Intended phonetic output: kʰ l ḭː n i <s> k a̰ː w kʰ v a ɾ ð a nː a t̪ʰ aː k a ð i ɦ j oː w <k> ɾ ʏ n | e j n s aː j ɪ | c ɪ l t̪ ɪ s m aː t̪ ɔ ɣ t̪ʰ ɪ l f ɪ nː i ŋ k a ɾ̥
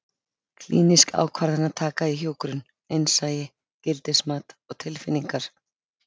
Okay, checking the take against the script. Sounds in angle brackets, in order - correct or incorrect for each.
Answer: correct, correct

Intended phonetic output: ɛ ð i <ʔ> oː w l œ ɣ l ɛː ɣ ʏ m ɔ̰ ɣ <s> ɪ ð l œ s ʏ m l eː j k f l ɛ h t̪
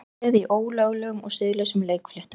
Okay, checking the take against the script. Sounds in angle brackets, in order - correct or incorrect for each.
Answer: correct, correct

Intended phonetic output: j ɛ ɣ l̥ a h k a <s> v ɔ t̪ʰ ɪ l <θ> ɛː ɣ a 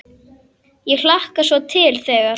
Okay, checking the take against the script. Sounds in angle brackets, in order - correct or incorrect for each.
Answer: correct, correct

